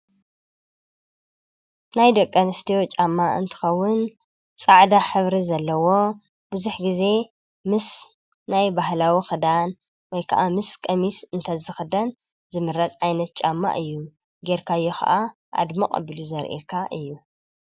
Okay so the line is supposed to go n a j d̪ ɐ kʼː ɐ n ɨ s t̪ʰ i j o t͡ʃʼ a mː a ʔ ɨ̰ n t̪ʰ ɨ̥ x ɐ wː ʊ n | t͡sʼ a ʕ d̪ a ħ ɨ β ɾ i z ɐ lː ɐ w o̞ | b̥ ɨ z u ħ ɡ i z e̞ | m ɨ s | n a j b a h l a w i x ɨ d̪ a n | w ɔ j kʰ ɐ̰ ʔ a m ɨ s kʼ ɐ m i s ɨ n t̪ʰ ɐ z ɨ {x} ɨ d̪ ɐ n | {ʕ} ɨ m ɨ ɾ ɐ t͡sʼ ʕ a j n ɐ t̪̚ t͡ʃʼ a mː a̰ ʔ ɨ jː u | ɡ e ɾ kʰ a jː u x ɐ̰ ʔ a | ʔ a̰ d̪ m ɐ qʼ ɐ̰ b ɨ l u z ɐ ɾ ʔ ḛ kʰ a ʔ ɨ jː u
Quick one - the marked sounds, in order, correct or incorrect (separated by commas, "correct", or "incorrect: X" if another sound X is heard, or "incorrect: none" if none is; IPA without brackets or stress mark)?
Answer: correct, incorrect: z